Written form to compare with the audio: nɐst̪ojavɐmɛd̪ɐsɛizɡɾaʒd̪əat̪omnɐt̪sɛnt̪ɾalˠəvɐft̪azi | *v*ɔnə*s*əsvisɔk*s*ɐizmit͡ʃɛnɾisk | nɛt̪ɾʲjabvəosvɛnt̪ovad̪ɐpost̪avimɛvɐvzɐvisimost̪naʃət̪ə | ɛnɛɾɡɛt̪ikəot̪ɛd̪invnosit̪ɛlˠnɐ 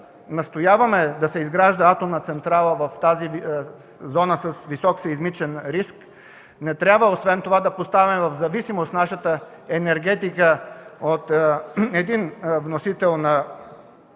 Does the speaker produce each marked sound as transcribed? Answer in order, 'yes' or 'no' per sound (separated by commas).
no, yes, yes